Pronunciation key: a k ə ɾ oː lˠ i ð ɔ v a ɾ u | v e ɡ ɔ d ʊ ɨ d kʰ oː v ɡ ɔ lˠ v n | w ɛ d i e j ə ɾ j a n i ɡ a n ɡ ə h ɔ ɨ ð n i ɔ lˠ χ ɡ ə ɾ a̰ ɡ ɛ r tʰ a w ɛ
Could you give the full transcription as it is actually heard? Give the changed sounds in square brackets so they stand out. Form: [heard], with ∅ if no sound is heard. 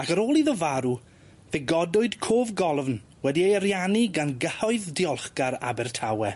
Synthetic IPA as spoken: a k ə ɾ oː lˠ i ð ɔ v a ɾ u | v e ɡ ɔ d ʊ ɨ d kʰ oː v ɡ ɔ lˠ v n | w ɛ d i e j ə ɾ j a n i ɡ a n ɡ ə h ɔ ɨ ð [d] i ɔ lˠ χ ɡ [a] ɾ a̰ [b] ɛ r tʰ a w ɛ